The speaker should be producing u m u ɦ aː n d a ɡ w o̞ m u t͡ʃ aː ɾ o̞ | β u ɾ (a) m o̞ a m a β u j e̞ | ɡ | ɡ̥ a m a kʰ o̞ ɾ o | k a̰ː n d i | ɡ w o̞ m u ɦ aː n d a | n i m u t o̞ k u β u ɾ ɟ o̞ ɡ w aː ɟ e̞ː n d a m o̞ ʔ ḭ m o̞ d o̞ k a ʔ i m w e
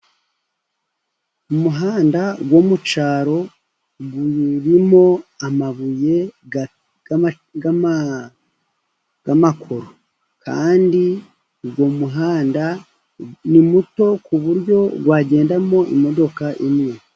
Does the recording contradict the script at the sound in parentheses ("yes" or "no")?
yes